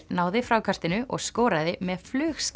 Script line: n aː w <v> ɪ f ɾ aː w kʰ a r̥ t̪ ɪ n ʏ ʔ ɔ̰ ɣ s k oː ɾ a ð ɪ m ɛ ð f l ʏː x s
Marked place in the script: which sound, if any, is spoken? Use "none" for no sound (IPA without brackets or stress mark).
ð